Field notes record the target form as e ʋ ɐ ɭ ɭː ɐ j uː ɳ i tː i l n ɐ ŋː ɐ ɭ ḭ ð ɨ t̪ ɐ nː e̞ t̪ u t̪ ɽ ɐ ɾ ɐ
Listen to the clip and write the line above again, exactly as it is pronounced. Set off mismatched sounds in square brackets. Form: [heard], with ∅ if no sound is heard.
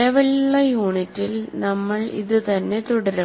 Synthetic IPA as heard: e ʋ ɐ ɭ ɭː ɐ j uː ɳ i tː i l n ɐ [mː] ɐ ɭ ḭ ð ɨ t̪ ɐ nː e̞ t̪ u [∅] ɽ ɐ ɾ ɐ